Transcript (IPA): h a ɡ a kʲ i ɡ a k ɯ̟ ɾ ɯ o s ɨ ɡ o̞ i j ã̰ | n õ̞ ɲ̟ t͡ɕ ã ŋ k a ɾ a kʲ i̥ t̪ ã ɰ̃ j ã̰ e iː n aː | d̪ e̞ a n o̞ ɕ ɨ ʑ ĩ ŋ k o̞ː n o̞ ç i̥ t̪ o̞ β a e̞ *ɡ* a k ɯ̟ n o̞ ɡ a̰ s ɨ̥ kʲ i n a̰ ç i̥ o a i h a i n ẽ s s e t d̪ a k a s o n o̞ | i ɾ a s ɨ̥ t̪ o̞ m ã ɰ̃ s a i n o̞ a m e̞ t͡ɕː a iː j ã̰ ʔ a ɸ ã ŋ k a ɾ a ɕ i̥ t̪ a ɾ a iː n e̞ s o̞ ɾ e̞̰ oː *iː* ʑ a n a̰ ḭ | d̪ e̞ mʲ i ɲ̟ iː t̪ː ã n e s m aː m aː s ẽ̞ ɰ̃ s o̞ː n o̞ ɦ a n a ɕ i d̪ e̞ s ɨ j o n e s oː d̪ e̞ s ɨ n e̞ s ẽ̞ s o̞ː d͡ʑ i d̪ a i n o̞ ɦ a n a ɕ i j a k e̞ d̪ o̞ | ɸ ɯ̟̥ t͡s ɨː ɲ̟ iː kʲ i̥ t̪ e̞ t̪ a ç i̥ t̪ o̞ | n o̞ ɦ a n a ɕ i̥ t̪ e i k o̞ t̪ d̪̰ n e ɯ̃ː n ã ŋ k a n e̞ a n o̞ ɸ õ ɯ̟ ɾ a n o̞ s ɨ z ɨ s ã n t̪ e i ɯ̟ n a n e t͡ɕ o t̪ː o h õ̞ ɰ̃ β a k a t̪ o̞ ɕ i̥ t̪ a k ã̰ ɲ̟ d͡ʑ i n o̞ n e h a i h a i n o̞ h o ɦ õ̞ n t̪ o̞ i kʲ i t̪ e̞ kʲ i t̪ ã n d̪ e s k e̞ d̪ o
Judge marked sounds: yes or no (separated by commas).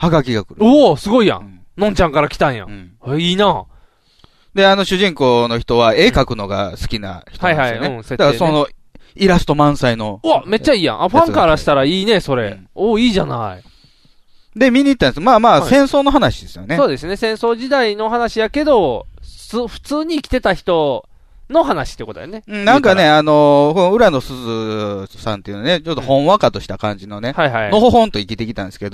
no, yes